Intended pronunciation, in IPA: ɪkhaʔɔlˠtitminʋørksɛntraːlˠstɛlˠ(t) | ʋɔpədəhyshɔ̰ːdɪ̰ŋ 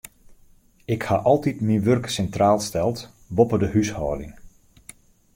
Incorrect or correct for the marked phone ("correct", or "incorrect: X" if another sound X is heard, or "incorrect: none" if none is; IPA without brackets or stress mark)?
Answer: correct